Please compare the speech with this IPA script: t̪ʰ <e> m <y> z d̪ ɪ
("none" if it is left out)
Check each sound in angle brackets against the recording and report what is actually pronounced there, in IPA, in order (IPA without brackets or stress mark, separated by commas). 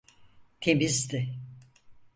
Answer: e, i